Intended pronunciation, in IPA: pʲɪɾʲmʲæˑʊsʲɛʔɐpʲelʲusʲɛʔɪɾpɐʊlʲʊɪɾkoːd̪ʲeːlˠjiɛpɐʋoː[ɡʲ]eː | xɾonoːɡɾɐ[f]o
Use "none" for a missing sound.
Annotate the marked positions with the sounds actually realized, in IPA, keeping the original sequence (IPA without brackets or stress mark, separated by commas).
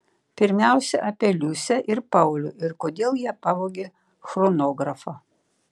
ɡʲ, f